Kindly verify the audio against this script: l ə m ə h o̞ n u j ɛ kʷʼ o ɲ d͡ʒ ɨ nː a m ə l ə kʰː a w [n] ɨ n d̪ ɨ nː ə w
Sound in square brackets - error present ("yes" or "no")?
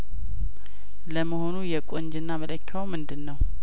yes